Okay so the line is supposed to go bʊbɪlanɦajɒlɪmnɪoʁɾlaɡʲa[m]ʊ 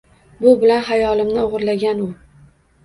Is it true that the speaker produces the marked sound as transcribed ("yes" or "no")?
no